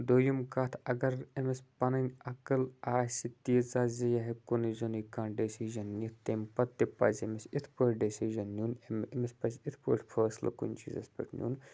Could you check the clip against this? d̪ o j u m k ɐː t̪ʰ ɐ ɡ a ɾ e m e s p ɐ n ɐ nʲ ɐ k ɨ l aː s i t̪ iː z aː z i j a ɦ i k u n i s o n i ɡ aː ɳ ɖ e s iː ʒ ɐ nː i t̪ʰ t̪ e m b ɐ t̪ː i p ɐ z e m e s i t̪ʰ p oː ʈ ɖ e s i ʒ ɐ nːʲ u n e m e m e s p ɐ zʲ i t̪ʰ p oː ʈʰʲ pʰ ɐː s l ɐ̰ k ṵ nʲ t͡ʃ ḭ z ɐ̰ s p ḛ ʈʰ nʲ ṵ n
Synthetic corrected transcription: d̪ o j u m k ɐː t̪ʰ ɐ ɡ ɐ ɾ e m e s p ɐ n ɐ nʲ ɐ k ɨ l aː s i t̪ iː z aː z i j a ɦ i k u n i z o n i k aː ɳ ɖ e s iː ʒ ɐ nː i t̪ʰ t̪ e m p ɐ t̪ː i p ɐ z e m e s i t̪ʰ p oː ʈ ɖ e s i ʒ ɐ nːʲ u n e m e m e s p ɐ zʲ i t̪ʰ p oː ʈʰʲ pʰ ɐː s l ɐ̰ k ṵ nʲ t͡ʃ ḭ z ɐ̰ s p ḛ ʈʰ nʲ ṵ n